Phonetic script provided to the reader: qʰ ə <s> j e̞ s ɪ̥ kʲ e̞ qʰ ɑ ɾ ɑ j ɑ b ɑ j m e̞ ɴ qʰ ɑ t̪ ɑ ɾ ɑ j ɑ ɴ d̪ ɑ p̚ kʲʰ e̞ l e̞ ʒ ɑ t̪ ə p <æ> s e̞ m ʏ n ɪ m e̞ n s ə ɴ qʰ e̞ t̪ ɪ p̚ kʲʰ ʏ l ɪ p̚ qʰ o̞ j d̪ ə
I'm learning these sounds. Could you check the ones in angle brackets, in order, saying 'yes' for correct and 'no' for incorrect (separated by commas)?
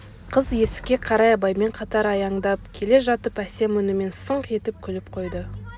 no, yes